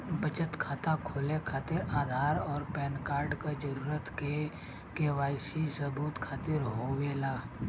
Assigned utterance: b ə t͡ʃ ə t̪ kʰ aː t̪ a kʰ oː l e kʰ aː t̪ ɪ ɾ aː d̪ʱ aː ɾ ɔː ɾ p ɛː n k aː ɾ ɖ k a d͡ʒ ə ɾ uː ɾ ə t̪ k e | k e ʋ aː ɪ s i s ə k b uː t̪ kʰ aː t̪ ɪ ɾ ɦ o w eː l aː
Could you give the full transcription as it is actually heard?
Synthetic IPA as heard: b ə t͡ʃ ə t̪ kʰ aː t̪ a kʰ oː l e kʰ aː t̪ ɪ ɾ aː d̪ʱ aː ɾ ɔː ɾ p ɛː n k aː ɾ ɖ k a d͡ʒ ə ɾ uː ɾ ə t̪ k e | k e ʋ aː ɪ s i s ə b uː t̪ kʰ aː t̪ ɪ ɾ ɦ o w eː l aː